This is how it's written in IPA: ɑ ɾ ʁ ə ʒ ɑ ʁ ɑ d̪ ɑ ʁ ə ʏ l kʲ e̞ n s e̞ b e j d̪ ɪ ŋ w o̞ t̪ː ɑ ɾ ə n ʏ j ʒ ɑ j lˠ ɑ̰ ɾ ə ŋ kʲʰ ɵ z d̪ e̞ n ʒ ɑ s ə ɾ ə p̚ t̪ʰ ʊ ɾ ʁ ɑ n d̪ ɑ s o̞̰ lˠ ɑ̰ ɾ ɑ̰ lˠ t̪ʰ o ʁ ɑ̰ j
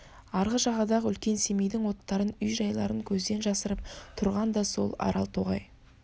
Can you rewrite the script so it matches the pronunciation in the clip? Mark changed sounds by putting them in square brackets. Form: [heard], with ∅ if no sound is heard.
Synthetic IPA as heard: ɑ ɾ ʁ ə ʒ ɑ ʁ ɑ d̪ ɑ ʁ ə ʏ l kʲ e̞ n s e̞ [m] e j d̪ ɪ ŋ w o̞ t̪ː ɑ ɾ ə n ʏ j ʒ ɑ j lˠ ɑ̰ ɾ ə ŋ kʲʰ ɵ z d̪ e̞ n ʒ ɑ s ə ɾ ə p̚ t̪ʰ ʊ ɾ ʁ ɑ n d̪ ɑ s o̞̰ lˠ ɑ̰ ɾ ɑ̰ lˠ t̪ʰ o ʁ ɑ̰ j